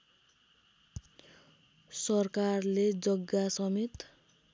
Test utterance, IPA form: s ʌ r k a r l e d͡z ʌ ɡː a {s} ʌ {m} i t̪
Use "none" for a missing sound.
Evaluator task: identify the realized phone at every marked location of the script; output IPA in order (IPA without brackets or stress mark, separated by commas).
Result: s, m